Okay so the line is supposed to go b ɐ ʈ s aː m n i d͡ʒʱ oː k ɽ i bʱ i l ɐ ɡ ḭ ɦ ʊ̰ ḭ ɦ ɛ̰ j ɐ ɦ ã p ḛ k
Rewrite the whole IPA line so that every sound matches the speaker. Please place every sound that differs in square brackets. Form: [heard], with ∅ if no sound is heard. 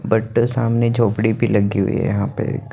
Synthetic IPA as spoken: b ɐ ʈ s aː m n [e] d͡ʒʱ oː [p] ɽ i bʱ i l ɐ ɡ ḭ ɦ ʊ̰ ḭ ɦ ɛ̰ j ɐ ɦ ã p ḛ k